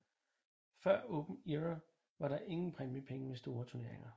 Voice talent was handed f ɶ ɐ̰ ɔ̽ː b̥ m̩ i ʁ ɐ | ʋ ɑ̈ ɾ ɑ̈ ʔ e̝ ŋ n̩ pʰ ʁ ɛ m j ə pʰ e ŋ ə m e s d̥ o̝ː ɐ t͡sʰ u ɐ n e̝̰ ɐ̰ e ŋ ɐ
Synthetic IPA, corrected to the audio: f ɶ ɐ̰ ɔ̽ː b̥ m̩ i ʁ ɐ | ʋ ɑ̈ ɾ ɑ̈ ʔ e̝ ŋ n̩ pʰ ʁ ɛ m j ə pʰ e ŋ ə m e s d̥ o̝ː ɐ t͡sʰ u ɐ n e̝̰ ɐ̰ e ŋ ɐ